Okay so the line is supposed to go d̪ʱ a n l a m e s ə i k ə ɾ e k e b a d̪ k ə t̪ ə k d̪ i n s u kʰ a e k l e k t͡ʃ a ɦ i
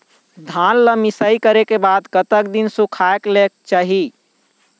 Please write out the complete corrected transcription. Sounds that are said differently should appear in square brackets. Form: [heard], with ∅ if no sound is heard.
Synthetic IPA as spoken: d̪ʱ a n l [ə] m [i] s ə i k ə ɾ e k e b a d̪ k ə t̪ ə k d̪ i n s u kʰ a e k l e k t͡ʃ a ɦ i